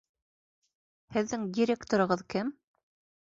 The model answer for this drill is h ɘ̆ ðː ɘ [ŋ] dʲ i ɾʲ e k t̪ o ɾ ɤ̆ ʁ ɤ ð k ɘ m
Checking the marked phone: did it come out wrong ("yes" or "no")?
no